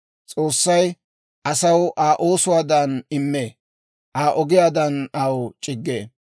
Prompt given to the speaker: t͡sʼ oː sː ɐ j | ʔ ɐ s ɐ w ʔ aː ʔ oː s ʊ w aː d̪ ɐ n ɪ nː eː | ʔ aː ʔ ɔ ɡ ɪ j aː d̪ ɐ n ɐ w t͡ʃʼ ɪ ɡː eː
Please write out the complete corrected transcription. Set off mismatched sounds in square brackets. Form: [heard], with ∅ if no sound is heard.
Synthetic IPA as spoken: t͡sʼ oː sː ɐ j | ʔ ɐ s ɐ w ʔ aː ʔ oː s ʊ w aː d̪ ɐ n ɪ [mː] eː | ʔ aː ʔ ɔ ɡ ɪ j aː d̪ ɐ n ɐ w t͡ʃʼ ɪ ɡː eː

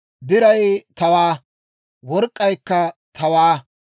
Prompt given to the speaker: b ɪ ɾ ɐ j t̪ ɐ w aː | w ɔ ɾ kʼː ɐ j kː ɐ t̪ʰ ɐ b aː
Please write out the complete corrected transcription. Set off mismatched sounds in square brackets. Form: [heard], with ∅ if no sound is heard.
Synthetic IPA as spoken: b ɪ ɾ ɐ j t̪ ɐ w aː | w ɔ ɾ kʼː ɐ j kː ɐ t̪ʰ ɐ [w] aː

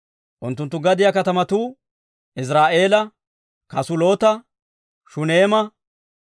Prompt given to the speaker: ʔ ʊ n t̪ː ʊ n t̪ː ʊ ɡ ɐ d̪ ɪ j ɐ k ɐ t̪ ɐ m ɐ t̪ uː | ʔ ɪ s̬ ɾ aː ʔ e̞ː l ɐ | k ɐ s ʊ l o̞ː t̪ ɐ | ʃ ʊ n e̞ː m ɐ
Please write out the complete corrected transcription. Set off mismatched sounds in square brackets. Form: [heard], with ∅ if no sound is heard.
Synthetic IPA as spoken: ʔ ʊ n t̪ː ʊ n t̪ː ʊ ɡ ɐ d̪ ɪ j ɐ k ɐ t̪ ɐ m ɐ t̪ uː | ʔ ɪ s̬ ɾ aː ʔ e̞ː l ɐ | k ɐ s ʊ l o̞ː t̪ ɐ | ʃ ʊ n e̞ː m ɐ

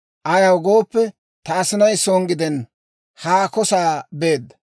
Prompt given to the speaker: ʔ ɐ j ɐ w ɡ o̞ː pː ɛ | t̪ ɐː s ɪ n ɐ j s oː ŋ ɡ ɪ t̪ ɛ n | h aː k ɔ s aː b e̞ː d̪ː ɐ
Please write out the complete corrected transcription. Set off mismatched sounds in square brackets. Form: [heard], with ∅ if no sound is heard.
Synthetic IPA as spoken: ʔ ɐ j ɐ w ɡ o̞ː pː ɛ | t̪ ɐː s ɪ n ɐ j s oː ŋ ɡ ɪ [d̪] ɛ n | h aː k ɔ s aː b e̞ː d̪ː ɐ

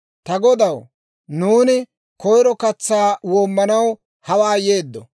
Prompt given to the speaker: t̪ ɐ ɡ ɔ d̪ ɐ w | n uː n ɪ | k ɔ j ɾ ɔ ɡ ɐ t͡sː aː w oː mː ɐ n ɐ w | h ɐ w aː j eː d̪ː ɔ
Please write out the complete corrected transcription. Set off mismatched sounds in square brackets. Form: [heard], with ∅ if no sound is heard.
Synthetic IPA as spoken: t̪ ɐ ɡ ɔ d̪ ɐ w | n uː n ɪ | k ɔ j ɾ ɔ [k] ɐ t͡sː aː w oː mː ɐ n ɐ w | h ɐ w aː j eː d̪ː ɔ

